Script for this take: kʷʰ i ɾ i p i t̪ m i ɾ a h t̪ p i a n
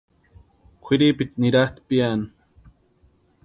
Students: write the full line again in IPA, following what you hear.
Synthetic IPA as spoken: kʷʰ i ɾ i p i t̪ n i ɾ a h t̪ p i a n